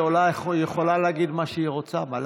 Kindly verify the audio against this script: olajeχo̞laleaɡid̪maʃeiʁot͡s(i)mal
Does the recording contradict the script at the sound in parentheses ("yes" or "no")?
yes